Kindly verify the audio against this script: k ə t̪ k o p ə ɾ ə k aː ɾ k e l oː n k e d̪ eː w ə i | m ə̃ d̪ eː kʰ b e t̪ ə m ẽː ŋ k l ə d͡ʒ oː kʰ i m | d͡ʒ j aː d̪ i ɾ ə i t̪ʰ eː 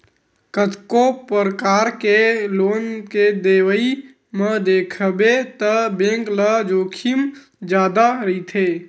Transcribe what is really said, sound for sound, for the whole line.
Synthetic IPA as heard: k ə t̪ k o p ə ɾ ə k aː ɾ k e l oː n k e d̪ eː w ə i | m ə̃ d̪ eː kʰ b e t̪ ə b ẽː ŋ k l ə d͡ʒ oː kʰ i m | d͡ʒ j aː d̪ a ɾ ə i t̪ʰ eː